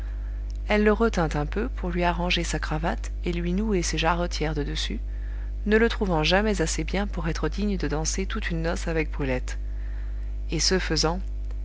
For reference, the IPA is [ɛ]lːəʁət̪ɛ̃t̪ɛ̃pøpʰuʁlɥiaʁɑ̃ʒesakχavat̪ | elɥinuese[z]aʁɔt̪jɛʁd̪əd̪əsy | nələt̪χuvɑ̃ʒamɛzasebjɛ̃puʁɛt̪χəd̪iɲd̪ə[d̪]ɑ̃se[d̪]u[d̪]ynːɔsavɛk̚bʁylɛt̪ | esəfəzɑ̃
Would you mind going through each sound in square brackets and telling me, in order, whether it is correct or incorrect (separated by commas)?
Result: correct, incorrect, correct, incorrect, incorrect